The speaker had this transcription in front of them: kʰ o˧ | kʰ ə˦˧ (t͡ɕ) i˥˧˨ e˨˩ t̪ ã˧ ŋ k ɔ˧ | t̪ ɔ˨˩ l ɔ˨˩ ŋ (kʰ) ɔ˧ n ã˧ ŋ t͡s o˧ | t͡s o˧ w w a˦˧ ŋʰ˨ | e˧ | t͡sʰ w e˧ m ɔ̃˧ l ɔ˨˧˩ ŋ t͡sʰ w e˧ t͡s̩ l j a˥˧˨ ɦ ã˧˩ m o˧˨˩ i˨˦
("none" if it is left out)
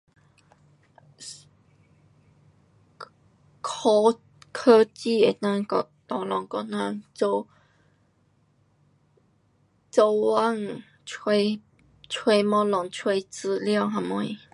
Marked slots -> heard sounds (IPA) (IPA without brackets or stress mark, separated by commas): t͡ɕ, k